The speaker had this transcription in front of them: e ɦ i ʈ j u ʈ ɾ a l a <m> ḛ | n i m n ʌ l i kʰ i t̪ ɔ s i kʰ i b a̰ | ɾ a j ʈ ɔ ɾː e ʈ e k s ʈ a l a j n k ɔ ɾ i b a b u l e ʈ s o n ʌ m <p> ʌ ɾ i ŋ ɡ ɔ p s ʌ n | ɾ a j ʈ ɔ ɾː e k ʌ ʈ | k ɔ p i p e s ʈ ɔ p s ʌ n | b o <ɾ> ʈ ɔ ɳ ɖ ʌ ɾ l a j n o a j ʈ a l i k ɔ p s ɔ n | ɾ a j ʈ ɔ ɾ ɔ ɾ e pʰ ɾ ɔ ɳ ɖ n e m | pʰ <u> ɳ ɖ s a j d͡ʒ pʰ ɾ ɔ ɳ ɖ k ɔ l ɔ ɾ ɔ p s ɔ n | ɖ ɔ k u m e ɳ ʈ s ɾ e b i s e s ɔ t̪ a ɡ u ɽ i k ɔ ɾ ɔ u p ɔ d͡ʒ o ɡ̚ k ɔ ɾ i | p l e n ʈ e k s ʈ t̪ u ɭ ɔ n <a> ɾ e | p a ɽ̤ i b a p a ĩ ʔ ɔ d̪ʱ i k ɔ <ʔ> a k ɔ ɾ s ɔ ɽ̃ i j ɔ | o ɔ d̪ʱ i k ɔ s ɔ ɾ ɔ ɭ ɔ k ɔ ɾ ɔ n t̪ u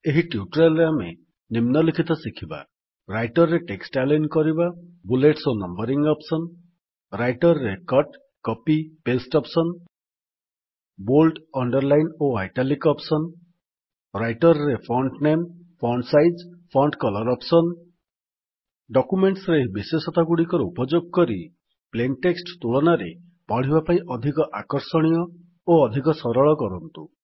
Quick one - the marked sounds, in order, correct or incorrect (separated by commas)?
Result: correct, incorrect, incorrect, incorrect, correct, correct